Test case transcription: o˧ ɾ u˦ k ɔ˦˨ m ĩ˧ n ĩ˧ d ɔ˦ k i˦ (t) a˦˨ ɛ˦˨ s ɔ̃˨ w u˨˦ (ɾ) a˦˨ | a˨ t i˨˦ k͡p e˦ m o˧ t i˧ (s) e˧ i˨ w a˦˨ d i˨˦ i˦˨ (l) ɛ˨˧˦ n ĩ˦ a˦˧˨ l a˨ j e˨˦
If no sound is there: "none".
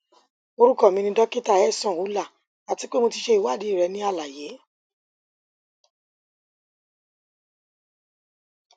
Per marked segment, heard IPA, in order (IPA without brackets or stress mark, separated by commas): t, l, ʃ, ɾ